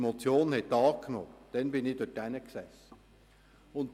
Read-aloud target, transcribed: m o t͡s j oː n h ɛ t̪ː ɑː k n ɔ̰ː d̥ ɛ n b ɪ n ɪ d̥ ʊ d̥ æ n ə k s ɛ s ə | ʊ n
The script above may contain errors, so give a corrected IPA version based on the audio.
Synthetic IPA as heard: m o t͡s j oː n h ɛ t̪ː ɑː k n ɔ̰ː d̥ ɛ n b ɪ n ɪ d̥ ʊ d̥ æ n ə k s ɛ s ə | ʊ n